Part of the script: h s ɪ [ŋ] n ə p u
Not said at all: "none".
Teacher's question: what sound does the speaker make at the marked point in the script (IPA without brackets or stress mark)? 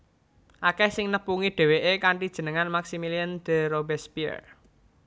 ŋ